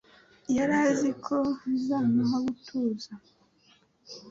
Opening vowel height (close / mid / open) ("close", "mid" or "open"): open